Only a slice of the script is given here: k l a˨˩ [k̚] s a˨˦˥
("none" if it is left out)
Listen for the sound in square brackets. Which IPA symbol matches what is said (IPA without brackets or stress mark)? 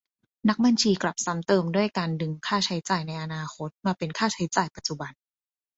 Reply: p̚